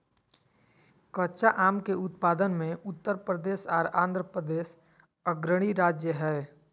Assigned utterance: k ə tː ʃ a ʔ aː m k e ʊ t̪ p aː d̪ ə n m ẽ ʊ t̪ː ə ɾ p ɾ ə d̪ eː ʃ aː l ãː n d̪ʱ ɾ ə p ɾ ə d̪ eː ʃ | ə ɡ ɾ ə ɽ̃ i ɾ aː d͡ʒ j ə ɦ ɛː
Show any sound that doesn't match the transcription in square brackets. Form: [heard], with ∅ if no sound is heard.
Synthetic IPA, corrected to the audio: k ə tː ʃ a ʔ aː m k e ʊ t̪ p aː d̪ ə n m ẽ ʊ t̪ː ə ɾ p ɾ ə d̪ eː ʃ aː [ɾ] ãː n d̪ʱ ɾ ə p ɾ ə d̪ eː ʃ | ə ɡ ɾ ə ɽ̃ i ɾ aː d͡ʒ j ə ɦ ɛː